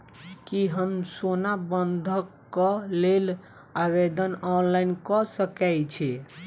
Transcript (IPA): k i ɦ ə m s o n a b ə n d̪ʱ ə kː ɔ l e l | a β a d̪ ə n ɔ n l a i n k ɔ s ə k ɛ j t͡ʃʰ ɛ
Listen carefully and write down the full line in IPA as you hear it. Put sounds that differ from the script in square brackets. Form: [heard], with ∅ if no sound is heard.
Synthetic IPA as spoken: k i ɦ ə m s o n a b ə n d̪ʱ ə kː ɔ l e l | a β [e] d̪ ə n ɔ n l a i n k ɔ s ə k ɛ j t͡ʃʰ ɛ

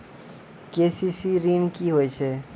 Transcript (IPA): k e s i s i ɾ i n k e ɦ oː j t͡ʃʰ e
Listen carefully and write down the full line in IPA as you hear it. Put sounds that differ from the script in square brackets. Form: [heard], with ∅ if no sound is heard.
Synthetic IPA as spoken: k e s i s i ɾ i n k [i] ɦ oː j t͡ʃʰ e

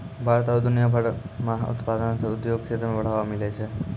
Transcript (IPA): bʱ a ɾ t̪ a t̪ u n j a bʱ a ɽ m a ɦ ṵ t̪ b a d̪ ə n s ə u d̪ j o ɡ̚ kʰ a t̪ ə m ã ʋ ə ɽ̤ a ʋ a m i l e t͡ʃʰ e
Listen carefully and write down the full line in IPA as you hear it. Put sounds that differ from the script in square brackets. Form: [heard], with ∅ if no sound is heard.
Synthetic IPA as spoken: bʱ a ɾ t̪ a [d̪] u n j a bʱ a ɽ m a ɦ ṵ t̪ [p] a d̪ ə n s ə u d̪ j o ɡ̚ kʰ [e] t̪ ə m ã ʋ ə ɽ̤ a ʋ a m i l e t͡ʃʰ e

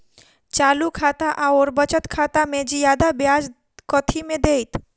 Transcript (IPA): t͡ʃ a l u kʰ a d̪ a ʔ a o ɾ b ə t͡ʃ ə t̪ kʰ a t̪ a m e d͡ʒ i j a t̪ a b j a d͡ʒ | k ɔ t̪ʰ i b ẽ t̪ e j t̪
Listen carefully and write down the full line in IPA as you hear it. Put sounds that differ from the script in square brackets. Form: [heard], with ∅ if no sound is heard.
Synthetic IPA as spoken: t͡ʃ a l u kʰ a [t̪] a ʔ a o ɾ b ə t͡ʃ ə t̪ kʰ a t̪ a m e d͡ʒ i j a [d̪] a b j a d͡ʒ | k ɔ t̪ʰ i [m] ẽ [d̪] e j t̪

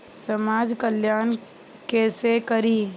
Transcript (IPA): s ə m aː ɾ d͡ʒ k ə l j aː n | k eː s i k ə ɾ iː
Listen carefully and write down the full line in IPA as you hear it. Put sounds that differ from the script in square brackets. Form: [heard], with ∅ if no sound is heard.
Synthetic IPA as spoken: s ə m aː [∅] d͡ʒ k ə l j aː n | k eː s [e] k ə ɾ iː

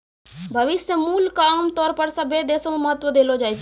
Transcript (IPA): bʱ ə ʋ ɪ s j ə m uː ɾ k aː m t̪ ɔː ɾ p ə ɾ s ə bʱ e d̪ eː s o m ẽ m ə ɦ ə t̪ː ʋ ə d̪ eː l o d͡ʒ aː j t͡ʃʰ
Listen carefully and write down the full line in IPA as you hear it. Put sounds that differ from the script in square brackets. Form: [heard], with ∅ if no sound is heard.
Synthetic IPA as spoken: bʱ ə ʋ ɪ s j ə m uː [l] k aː m t̪ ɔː ɾ p ə ɾ s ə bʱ e d̪ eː s o m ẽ m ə ɦ ə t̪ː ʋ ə d̪ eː l o d͡ʒ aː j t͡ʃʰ

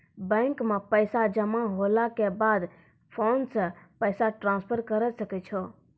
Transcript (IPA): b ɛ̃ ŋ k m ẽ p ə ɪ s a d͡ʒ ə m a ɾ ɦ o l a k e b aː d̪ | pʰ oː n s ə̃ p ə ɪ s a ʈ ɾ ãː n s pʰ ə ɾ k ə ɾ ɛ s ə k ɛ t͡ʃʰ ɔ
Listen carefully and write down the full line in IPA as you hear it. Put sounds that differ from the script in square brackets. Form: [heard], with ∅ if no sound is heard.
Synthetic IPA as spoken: b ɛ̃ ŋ k m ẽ p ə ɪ s a d͡ʒ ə m a [∅] ɦ o l a k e b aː d̪ | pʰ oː n s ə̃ p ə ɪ s a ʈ ɾ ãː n s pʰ ə ɾ k ə ɾ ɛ s ə k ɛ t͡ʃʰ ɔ

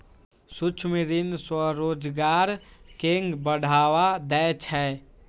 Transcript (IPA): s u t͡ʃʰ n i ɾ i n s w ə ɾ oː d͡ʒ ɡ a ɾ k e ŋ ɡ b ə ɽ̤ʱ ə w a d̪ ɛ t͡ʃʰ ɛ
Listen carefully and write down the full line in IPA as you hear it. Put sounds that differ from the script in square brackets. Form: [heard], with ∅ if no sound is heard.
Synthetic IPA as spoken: s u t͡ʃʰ [m] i ɾ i n s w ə ɾ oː d͡ʒ ɡ a ɾ k e ŋ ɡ b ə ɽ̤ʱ [a] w a d̪ ɛ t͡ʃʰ ɛ

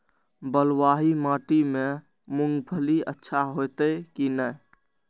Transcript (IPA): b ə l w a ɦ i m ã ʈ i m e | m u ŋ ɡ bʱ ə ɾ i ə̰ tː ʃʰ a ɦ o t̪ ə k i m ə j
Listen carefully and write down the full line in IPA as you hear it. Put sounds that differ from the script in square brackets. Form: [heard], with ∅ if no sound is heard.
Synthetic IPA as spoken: b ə l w a ɦ i m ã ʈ i m e | m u ŋ ɡ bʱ ə [l] i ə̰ tː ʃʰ a ɦ o t̪ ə k i [n] ə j

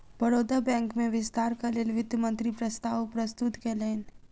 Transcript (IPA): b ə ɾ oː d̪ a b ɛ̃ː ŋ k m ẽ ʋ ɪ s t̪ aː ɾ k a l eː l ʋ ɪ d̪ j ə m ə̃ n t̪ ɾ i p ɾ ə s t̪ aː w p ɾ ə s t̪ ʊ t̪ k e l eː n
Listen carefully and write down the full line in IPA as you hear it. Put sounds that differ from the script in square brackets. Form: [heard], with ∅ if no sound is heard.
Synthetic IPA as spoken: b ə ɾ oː d̪ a b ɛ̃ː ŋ k m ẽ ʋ ɪ s t̪ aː ɾ k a l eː l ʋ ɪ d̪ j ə m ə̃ n t̪ ɾ i p ɾ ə s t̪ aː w p ɾ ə s t̪ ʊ t̪ k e l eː n

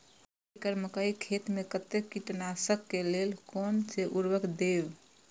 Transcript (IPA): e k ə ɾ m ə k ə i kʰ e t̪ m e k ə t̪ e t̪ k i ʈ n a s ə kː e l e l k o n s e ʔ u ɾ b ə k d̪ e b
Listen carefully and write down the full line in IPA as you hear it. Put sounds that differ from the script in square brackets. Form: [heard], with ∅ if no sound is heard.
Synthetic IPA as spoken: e k ə ɾ m ə k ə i kʰ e t̪ m e k ə t̪ e [∅] k i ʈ n a s ə kː e l e l k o n s e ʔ u ɾ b ə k d̪ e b

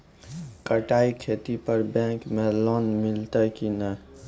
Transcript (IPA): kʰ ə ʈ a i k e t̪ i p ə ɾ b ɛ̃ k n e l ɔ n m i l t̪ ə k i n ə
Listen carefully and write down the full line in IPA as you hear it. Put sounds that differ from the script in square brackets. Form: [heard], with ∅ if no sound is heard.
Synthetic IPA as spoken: [k] ə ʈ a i [kʰ] e t̪ i p ə ɾ b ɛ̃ k [m] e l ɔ n m i l t̪ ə k i n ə

